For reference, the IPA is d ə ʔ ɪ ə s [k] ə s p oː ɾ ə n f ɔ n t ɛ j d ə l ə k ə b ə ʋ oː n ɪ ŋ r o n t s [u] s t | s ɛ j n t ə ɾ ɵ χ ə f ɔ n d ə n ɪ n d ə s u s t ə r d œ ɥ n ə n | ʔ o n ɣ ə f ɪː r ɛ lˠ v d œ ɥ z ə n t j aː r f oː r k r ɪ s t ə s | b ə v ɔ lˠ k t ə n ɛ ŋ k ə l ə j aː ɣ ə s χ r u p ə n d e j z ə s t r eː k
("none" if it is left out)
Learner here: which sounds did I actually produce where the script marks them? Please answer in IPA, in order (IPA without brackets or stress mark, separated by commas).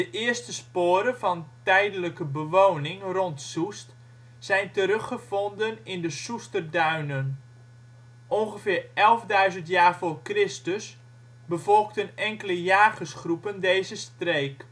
t, u